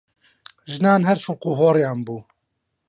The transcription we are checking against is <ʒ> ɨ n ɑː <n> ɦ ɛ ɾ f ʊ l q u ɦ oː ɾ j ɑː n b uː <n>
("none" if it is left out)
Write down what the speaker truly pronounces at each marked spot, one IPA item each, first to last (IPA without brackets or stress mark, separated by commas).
ʒ, n, none